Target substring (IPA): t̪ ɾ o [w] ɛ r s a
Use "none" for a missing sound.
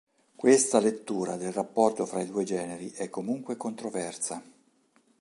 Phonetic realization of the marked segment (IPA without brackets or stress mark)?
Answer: v